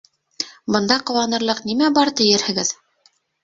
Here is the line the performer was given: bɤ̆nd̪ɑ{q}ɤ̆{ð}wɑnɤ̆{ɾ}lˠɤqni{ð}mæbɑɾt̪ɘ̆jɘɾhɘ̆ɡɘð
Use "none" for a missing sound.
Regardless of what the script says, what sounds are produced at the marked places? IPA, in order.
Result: q, none, ɾ, none

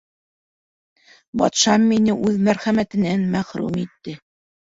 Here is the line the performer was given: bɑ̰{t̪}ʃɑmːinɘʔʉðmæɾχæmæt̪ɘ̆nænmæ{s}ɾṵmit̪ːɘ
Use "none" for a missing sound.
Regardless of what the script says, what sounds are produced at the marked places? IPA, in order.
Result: t̪, χ

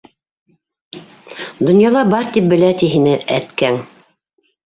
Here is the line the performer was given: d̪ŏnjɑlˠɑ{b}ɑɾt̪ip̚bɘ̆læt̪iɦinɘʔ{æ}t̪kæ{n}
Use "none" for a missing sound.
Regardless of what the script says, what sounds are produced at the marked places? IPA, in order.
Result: b, æ, ŋ

